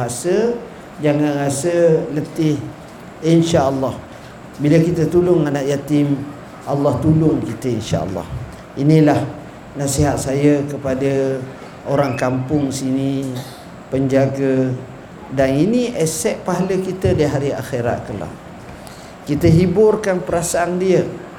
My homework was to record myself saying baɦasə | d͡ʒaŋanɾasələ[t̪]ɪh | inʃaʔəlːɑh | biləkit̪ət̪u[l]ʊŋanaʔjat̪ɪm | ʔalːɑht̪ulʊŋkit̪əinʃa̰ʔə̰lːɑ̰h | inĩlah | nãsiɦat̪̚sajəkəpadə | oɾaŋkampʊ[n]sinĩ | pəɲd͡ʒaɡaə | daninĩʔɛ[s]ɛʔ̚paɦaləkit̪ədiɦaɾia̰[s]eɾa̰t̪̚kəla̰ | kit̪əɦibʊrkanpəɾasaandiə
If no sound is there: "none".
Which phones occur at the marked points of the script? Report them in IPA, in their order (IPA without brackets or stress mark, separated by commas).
t̪, l, ŋ, s, x